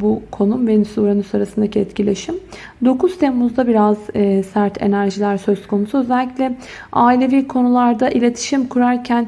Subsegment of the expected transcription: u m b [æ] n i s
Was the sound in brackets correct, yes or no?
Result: no